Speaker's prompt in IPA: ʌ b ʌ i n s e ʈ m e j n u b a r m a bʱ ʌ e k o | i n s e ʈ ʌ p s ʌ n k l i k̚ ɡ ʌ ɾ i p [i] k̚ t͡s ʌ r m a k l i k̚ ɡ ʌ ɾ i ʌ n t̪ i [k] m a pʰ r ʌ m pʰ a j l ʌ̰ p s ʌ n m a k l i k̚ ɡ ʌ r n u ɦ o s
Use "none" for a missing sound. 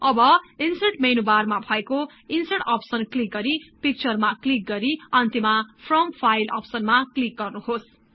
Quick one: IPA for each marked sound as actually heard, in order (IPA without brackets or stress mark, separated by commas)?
i, none